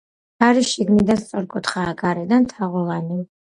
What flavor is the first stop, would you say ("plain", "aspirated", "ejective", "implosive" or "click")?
plain